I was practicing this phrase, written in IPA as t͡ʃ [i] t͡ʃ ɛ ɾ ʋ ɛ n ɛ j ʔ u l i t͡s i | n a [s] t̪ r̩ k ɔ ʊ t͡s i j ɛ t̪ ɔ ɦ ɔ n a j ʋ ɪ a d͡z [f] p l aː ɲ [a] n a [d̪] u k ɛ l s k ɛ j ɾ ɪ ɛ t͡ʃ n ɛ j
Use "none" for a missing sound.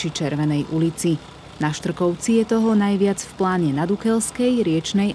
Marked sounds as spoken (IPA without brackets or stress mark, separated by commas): i, ʃ, f, ɛ, d̪